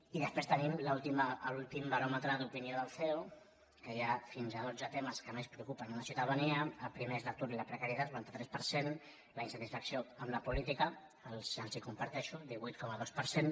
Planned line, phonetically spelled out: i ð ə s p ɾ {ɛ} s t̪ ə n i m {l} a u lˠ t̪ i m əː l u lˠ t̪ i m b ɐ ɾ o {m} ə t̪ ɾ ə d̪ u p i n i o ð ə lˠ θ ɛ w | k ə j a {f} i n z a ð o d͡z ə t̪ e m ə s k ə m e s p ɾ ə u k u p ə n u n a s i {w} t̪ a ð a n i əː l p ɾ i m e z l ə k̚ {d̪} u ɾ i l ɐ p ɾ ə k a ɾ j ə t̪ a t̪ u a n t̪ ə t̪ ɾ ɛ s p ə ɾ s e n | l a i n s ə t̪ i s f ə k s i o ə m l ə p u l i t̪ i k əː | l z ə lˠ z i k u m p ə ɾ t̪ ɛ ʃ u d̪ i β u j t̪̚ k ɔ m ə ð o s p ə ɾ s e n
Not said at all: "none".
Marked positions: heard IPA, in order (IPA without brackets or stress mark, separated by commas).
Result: e, l, m, f, u, t̪